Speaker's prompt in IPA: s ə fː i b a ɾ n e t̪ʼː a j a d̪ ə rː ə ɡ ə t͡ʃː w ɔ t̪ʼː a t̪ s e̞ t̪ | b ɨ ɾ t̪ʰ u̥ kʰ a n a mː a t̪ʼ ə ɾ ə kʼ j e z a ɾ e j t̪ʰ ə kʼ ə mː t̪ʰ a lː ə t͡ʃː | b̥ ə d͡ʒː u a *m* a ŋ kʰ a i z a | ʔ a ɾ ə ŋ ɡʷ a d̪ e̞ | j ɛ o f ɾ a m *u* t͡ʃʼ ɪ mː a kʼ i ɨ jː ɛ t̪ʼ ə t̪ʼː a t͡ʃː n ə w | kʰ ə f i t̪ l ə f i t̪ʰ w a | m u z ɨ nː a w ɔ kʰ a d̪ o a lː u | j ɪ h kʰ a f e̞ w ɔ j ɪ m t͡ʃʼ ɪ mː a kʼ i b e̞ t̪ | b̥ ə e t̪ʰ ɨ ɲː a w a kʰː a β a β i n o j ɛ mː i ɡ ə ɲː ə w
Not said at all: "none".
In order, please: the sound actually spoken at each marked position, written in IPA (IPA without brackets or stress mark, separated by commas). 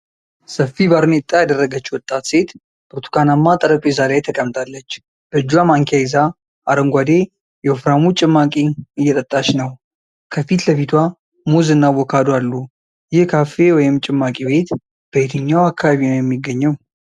m, u